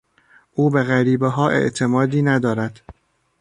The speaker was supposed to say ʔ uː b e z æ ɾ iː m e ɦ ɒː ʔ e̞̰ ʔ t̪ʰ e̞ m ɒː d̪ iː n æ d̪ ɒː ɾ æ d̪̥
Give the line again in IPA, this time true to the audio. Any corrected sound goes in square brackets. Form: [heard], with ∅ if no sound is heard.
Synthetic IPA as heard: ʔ uː b e [ɣ] æ ɾ iː [b] e ɦ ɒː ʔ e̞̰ ʔ t̪ʰ e̞ m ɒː d̪ iː n æ d̪ ɒː ɾ æ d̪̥